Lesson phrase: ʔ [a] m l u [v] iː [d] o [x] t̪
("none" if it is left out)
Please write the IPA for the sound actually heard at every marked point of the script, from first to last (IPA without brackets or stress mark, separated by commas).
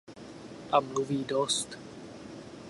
a, v, d, s